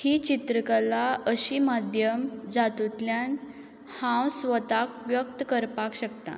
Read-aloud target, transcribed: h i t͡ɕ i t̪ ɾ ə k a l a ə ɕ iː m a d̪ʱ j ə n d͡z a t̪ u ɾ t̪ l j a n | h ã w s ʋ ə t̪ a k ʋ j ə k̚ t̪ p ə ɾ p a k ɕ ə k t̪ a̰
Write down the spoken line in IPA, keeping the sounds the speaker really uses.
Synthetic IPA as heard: h i t͡ɕ i t̪ ɾ ə k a l a ə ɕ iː m a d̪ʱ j ə m d͡z a t̪ u t̪ l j a n | h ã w s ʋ ə t̪ a k ʋ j ə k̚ t̪ k ə ɾ p a k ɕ ə k t̪ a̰

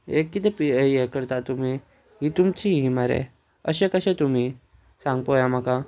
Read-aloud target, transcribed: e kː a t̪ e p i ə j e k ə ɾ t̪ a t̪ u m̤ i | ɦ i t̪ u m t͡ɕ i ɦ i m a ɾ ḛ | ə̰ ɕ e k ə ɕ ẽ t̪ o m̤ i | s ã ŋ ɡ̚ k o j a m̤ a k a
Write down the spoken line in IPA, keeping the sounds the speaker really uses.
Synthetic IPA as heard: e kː i t̪ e p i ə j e k ə ɾ t̪ a t̪ u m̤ i | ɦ i t̪ u m t͡ɕ i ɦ i m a ɾ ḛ | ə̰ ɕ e k ə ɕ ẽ t̪ u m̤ i | s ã ŋ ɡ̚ p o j a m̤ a k a

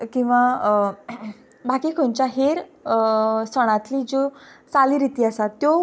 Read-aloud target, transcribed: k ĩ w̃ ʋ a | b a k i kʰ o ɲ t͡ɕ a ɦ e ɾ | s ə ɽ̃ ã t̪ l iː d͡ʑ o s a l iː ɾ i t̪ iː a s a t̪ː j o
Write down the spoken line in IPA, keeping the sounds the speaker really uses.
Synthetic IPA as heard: k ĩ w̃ ʋ a | b a k i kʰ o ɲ t͡ɕ a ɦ e ɾ | s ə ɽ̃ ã t̪ l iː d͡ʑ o t͡s a l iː ɾ i t̪ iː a s a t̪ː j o

